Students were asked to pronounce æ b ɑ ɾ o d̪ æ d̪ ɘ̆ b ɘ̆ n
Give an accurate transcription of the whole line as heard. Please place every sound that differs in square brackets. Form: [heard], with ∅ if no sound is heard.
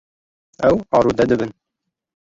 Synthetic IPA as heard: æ [w] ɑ ɾ [u] d̪ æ d̪ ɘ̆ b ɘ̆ n

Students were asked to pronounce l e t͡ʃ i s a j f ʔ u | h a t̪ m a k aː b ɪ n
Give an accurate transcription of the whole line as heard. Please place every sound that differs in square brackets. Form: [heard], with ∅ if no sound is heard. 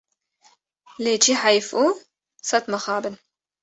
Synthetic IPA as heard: l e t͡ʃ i [ħ] a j f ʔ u | [s] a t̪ m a [x] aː b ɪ n

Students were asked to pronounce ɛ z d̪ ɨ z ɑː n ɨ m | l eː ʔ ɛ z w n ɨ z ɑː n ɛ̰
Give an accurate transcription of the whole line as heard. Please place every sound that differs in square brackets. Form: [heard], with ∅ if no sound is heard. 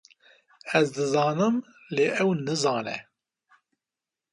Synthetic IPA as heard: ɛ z d̪ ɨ z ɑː n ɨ m | l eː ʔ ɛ [∅] w n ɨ z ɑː n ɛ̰

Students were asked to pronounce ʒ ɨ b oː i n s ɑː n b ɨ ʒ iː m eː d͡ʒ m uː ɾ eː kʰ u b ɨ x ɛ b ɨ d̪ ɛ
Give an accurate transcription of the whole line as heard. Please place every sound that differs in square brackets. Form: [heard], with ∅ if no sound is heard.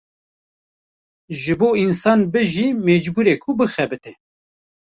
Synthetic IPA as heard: ʒ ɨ b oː i n s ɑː n b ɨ ʒ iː m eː d͡ʒ [b] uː ɾ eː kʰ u b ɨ x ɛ b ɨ [t̪] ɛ

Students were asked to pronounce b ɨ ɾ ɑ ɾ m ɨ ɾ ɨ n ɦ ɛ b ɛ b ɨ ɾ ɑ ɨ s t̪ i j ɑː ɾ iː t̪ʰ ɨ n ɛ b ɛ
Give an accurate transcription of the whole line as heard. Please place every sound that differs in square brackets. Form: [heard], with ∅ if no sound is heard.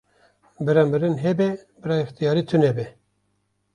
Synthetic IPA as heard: b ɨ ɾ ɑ [∅] m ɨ ɾ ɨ n ɦ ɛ b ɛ b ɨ ɾ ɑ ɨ [x] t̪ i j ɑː ɾ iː t̪ʰ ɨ n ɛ b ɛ

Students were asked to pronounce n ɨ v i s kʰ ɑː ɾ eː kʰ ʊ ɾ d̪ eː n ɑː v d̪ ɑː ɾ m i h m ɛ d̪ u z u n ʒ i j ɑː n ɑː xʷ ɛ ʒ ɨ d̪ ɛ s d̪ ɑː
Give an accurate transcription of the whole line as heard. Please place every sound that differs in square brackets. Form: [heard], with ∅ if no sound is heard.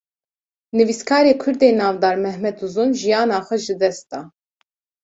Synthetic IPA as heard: n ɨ v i s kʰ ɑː ɾ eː kʰ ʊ ɾ d̪ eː n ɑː v d̪ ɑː ɾ m [ɛ] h m ɛ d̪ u z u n ʒ i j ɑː n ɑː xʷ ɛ ʒ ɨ d̪ ɛ s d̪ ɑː

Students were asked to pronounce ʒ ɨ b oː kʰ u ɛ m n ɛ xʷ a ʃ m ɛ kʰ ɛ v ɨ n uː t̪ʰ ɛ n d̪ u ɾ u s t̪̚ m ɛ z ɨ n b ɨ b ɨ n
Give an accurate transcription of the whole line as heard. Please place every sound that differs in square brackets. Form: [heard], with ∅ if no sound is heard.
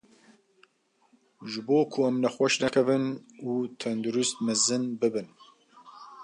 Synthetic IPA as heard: ʒ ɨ b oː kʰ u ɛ m n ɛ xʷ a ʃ [n] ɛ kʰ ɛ v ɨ n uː t̪ʰ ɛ n d̪ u ɾ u s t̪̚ m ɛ z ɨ n b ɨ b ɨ n

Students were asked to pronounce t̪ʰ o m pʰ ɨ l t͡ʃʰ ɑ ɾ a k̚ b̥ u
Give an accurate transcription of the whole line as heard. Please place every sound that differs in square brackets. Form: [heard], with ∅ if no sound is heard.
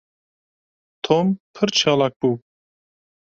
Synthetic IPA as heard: t̪ʰ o m pʰ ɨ [ɾ] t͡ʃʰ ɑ [l] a k̚ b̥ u

